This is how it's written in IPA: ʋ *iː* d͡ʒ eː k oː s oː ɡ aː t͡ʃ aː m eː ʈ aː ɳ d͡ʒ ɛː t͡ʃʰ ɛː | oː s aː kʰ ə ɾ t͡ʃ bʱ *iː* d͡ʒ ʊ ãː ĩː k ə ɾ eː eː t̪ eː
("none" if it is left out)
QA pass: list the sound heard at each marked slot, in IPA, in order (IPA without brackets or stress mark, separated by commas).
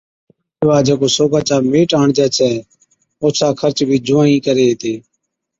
aː, iː